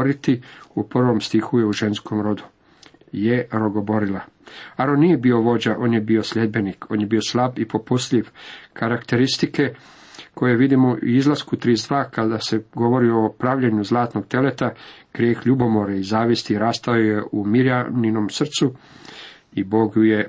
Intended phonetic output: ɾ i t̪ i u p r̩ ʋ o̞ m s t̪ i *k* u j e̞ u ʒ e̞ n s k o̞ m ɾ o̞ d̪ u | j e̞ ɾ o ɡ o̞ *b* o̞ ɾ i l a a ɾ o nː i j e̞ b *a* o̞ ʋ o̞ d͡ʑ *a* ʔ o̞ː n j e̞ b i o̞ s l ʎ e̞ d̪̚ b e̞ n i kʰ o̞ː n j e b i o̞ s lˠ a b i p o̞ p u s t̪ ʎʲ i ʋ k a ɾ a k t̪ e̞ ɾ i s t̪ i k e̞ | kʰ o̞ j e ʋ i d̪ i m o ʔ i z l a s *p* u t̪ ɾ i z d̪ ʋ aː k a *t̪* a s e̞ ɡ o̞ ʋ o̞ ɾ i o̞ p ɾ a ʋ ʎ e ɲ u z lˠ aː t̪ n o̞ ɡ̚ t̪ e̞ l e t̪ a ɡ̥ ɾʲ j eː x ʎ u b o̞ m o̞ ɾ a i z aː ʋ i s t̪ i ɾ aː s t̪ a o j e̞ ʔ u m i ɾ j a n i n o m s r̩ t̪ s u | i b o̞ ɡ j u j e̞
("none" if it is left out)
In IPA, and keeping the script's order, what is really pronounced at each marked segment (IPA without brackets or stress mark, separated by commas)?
x, b, i, a, k, d̪